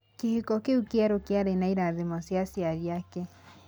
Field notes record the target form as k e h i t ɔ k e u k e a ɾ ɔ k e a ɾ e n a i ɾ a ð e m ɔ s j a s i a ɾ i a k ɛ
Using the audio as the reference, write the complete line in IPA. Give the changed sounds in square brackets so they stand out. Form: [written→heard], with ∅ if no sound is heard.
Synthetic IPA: k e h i [t→k] ɔ k e u k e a ɾ [ɔ→o] k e a ɾ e n a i ɾ a ð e m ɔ s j a s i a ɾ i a k ɛ